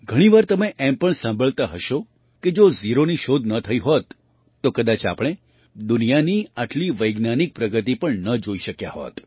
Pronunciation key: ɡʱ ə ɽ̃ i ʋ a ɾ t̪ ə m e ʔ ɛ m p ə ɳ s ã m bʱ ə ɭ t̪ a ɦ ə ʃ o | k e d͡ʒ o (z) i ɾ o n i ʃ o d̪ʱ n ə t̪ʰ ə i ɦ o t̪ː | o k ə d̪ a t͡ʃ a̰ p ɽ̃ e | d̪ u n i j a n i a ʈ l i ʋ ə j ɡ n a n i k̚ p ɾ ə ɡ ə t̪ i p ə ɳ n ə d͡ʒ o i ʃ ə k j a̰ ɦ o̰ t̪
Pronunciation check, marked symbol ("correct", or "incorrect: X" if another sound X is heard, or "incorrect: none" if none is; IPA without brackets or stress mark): correct